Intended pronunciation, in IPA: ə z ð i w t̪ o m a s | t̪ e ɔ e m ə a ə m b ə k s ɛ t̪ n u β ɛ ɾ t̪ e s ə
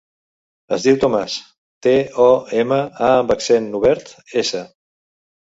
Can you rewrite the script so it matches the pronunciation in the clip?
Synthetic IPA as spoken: ə z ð i w t̪ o m a s | t̪ e ɔ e m ə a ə m b ə k s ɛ n u β ɛ ɾ t̪ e s ə